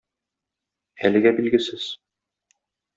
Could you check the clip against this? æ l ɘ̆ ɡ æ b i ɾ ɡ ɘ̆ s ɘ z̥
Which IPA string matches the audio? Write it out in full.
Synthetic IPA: æ l ɘ̆ ɡ æ b i l ɡ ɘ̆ s ɘ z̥